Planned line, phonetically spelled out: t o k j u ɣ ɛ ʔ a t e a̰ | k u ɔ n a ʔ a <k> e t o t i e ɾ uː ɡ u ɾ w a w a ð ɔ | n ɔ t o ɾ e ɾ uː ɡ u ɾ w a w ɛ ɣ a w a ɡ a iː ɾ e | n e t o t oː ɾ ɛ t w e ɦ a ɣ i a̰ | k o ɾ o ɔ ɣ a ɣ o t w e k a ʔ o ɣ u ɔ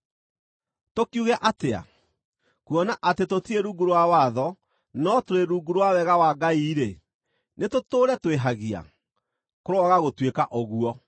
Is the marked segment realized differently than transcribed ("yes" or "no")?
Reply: yes